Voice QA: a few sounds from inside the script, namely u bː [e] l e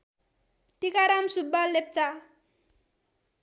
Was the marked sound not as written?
yes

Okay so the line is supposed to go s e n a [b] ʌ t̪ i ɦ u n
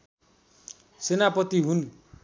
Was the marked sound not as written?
yes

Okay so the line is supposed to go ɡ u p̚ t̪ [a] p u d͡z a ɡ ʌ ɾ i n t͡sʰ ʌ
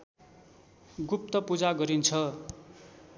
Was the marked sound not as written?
yes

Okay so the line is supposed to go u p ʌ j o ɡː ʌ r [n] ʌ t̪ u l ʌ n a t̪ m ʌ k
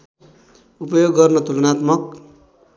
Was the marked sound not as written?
no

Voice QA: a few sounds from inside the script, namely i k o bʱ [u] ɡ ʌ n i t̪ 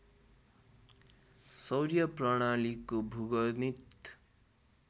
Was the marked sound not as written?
no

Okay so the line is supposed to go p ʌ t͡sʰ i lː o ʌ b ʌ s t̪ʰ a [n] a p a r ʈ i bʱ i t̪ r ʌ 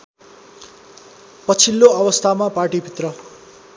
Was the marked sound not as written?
yes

